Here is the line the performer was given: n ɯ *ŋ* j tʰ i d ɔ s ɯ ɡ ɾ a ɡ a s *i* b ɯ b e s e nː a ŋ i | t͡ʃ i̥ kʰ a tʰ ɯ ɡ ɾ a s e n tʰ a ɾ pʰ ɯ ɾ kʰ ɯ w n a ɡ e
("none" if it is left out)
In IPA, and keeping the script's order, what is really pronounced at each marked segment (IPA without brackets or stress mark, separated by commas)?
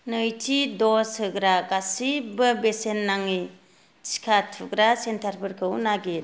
none, i